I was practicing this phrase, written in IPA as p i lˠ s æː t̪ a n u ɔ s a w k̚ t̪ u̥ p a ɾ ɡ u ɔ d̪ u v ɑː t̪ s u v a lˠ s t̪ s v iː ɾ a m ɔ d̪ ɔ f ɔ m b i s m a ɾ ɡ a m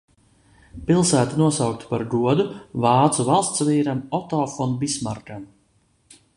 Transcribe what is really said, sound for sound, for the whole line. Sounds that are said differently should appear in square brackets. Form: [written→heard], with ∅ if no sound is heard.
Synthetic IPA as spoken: p i lˠ s æː t̪ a n u ɔ s a w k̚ t̪ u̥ p a ɾ ɡ u ɔ d̪ u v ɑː t̪ s u v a lˠ s t̪ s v iː ɾ a m ɔ [d̪→t̪] ɔ f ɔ [m→n] b i s m a ɾ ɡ a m